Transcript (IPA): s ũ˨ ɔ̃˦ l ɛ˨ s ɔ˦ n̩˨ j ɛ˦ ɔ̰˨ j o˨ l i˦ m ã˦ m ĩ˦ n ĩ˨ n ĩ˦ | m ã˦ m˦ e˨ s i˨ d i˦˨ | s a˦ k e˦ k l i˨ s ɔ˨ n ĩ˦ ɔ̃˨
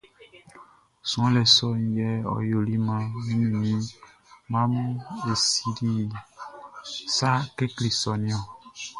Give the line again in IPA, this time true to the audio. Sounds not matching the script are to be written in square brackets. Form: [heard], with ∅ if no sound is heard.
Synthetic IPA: s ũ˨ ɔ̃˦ l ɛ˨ s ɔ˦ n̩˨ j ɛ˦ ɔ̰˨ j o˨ l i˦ m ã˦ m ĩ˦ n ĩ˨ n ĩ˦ | m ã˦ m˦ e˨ s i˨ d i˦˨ | s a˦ k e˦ k l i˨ s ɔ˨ n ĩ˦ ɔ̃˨